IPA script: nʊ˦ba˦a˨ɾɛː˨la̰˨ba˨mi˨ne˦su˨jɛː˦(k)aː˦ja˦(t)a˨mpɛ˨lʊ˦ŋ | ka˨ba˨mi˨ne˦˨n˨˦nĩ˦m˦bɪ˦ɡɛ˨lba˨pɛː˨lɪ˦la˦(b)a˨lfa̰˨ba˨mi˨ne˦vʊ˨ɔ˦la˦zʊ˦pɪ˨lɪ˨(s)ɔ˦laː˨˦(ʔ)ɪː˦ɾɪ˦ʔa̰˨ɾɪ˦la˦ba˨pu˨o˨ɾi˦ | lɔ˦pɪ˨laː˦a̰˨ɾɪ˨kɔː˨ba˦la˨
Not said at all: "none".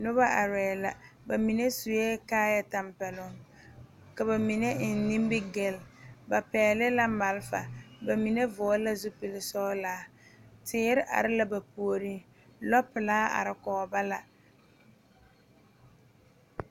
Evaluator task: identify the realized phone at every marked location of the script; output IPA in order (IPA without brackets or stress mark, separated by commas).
k, t, m, s, t